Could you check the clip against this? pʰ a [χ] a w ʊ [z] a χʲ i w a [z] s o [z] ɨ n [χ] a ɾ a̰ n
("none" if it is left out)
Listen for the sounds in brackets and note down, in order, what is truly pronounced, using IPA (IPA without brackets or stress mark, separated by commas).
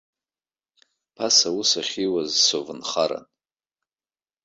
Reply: s, s, z, v, χ